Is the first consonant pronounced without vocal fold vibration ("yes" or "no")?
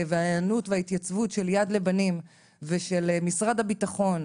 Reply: no